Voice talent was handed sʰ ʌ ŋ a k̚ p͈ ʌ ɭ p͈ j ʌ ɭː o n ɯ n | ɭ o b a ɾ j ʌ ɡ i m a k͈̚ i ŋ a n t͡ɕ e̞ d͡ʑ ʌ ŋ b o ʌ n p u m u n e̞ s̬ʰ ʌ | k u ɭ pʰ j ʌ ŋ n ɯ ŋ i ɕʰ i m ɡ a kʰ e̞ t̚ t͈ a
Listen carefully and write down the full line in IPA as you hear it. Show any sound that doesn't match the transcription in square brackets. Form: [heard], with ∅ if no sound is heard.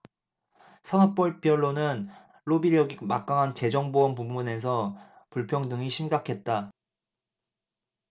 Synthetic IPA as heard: sʰ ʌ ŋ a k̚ p͈ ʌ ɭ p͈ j ʌ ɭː o n ɯ n | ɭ o b [i] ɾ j ʌ ɡ i m a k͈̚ [a] ŋ a n t͡ɕ e̞ d͡ʑ ʌ ŋ b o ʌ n p u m u n e̞ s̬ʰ ʌ | [p] u ɭ pʰ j ʌ ŋ [d] ɯ ŋ i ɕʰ i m ɡ a kʰ e̞ t̚ t͈ a

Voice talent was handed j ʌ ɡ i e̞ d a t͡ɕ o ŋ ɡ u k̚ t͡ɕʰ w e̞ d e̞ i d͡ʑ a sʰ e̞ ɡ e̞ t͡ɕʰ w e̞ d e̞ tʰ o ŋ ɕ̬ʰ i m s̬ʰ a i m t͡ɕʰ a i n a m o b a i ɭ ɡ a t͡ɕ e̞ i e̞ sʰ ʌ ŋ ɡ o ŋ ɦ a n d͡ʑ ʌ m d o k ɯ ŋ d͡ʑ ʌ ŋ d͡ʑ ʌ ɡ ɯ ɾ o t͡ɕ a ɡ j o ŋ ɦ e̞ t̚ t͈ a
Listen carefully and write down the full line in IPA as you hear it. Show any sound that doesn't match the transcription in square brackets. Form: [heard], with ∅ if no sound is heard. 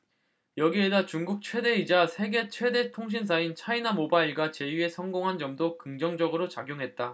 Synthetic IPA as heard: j ʌ ɡ i e̞ d a t͡ɕ [u] ŋ ɡ u k̚ t͡ɕʰ w e̞ d e̞ i d͡ʑ a sʰ e̞ ɡ e̞ t͡ɕʰ w e̞ d e̞ tʰ o ŋ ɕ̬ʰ i [n] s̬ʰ a i [n] t͡ɕʰ a i n a m o b a i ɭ ɡ a t͡ɕ e̞ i e̞ sʰ ʌ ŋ ɡ o ŋ ɦ a n d͡ʑ ʌ m d o k ɯ ŋ d͡ʑ ʌ ŋ d͡ʑ ʌ ɡ ɯ ɾ o t͡ɕ a ɡ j o ŋ ɦ e̞ t̚ t͈ a

